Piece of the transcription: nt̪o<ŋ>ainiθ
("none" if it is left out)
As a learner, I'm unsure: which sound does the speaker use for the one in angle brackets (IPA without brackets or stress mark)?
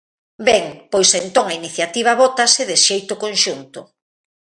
ŋ